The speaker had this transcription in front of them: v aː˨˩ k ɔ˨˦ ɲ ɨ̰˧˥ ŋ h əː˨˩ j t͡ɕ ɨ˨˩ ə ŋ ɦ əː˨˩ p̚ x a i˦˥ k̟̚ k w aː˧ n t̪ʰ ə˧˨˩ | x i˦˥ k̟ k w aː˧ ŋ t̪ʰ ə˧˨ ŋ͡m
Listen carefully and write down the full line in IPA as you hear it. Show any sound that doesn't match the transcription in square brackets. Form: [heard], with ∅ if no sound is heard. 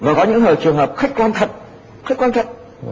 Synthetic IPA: v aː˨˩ k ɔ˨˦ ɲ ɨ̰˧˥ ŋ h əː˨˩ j t͡ɕ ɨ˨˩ ə ŋ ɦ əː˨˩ p̚ x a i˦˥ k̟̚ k w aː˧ n t̪ʰ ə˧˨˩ | x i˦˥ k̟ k w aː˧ [n] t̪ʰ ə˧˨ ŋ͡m